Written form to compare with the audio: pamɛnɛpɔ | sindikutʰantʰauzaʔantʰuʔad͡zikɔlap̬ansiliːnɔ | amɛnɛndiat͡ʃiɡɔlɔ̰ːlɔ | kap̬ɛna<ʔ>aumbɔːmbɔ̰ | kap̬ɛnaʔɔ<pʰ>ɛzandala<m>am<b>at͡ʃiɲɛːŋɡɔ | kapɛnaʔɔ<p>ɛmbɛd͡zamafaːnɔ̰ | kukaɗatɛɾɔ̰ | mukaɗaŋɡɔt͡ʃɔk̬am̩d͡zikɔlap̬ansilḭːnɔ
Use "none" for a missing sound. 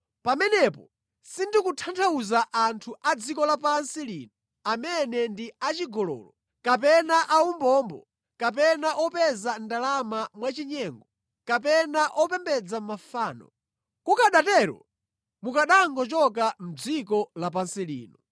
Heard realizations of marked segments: ʔ, p, m, w, p

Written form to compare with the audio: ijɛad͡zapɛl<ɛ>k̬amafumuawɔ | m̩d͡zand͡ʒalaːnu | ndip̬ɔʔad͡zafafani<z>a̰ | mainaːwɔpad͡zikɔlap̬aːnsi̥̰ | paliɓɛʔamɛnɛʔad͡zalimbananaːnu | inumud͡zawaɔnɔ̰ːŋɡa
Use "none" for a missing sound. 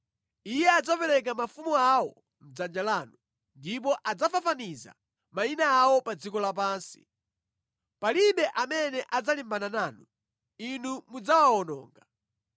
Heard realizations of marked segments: ɛ, z

